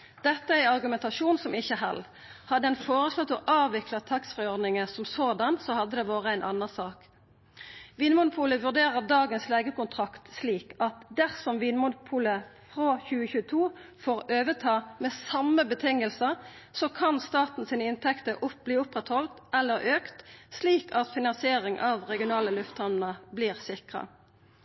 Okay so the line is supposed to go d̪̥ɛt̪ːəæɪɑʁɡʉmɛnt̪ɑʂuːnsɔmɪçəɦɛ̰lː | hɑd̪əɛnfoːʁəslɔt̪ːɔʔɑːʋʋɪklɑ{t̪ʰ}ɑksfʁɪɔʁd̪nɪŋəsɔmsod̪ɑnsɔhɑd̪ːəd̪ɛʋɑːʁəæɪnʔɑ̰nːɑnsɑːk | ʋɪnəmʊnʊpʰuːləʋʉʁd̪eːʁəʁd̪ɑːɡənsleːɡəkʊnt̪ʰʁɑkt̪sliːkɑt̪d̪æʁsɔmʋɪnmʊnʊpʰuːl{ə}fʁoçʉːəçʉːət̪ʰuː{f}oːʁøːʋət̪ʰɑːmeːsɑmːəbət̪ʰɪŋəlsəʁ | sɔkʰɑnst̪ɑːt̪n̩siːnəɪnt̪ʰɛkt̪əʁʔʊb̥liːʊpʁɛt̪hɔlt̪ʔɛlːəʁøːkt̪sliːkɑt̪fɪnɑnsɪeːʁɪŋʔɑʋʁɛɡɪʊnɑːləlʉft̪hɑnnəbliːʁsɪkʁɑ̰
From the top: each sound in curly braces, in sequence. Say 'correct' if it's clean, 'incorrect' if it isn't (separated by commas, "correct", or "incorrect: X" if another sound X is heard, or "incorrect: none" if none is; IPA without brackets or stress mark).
correct, correct, correct